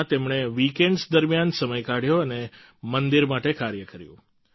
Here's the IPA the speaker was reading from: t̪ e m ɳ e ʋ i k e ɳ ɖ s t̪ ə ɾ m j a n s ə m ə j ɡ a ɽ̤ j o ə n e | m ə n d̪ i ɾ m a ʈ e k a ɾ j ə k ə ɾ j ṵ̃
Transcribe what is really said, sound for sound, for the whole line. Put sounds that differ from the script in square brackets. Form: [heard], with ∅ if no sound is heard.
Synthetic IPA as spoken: t̪ e m ɳ e ʋ i k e ɳ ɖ s [d̪] ə ɾ m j a n s ə m ə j [k] a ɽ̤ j o ə n e | m ə n d̪ i ɾ m a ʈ e k a ɾ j ə k ə ɾ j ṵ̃